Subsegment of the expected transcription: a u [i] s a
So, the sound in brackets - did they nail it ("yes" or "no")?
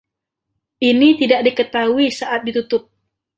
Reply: yes